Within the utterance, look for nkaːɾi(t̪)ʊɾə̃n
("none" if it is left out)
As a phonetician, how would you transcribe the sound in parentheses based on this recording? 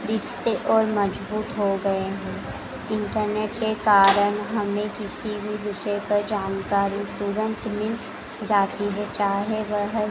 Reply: t̪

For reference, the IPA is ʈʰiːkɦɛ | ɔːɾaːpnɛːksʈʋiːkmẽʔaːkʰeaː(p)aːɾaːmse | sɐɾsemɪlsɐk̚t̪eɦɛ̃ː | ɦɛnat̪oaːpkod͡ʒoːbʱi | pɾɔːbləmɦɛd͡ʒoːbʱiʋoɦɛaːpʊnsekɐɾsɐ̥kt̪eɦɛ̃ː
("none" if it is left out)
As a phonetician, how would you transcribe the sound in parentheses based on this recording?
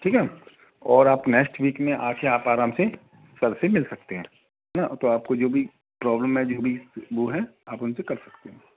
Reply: p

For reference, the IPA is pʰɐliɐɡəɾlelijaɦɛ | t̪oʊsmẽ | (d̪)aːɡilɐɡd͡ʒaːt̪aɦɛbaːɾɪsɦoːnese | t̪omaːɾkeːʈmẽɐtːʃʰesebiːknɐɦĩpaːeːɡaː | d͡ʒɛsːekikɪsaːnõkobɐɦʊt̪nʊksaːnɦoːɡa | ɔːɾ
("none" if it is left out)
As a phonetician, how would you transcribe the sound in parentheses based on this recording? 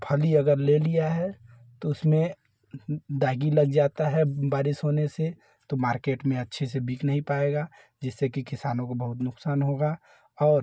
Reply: d̪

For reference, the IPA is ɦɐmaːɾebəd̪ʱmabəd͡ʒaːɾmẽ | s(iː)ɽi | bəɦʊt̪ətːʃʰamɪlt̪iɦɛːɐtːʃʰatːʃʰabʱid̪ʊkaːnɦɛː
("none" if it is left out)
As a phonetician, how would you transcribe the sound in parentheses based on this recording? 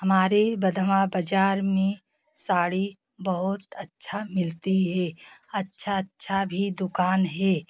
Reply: aː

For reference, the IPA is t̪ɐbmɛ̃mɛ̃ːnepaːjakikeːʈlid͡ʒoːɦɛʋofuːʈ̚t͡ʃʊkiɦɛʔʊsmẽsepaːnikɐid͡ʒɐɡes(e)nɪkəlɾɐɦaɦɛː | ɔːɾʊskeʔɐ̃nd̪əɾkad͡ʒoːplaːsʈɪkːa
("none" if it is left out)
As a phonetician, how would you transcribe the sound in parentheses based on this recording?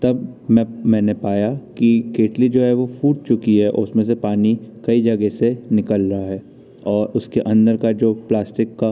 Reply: e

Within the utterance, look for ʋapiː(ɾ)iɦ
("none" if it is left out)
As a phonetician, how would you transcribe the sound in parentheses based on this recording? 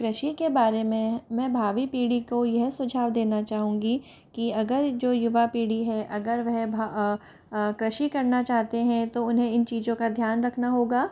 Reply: ɽ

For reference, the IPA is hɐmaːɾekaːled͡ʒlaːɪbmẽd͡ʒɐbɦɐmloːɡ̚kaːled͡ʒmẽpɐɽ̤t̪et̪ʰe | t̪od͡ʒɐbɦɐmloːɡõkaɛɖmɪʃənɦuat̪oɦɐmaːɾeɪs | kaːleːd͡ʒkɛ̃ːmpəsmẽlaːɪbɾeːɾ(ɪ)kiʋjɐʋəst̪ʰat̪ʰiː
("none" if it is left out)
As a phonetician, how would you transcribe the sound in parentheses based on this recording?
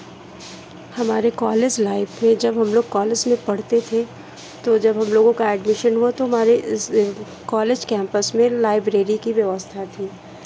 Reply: i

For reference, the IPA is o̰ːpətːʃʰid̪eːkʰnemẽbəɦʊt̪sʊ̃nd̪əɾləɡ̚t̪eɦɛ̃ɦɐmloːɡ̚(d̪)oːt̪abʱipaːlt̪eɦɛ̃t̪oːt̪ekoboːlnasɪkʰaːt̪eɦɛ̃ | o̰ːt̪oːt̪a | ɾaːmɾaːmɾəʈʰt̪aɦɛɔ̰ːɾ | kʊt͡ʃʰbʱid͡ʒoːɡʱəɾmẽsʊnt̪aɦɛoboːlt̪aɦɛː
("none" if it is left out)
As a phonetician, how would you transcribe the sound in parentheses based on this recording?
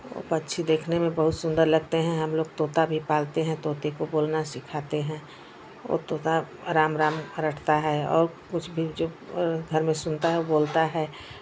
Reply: t̪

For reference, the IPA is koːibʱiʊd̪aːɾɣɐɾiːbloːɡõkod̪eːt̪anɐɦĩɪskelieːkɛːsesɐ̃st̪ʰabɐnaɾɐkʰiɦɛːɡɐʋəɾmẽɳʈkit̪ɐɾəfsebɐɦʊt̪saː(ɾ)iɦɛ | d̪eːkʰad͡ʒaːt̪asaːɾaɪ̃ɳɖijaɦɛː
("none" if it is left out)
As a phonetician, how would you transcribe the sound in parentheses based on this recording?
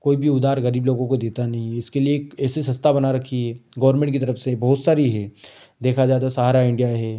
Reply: ɾ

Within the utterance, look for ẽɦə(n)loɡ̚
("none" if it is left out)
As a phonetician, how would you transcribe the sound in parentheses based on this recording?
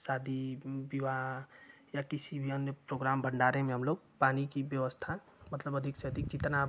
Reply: m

